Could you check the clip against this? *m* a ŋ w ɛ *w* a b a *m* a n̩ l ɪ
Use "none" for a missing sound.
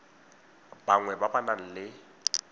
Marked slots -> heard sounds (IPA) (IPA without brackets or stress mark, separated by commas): b, b, n